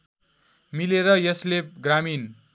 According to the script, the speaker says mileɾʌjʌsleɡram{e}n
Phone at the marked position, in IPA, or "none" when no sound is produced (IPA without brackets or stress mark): i